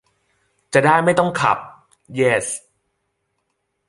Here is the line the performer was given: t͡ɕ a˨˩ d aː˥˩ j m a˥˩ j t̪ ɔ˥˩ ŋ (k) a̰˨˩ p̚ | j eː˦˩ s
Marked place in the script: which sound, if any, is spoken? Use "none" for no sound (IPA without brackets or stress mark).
kʰ